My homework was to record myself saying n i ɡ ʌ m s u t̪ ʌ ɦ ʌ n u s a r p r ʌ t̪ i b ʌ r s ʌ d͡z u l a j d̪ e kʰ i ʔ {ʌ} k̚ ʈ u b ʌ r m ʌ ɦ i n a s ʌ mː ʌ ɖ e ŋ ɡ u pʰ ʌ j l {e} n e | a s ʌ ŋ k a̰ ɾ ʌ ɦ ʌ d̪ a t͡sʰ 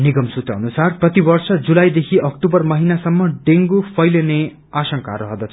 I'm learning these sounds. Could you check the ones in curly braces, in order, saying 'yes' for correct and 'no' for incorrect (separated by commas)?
yes, yes